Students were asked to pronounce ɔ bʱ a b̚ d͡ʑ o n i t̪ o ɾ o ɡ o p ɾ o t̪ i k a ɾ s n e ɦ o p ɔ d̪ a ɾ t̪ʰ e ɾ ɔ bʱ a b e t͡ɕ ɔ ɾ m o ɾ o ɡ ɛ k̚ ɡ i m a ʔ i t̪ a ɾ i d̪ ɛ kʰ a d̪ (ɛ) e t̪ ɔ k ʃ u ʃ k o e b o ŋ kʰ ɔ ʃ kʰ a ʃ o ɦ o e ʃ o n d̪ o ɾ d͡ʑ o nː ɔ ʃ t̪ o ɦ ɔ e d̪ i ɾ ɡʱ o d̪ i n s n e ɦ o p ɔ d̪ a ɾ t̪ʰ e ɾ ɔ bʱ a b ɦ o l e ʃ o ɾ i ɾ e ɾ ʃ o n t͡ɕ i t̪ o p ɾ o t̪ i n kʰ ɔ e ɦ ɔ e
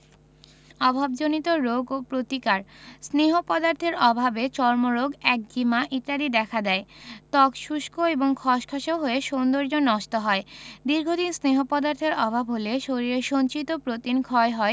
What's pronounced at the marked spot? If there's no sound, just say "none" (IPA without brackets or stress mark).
ɛ